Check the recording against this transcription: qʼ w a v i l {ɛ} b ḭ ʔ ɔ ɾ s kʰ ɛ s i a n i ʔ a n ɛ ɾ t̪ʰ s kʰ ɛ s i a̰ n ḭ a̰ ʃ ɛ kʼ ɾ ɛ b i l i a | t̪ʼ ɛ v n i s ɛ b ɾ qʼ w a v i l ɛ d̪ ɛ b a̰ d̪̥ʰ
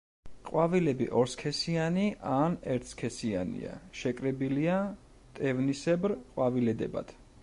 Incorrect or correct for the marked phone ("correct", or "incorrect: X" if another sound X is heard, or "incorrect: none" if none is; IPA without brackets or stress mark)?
correct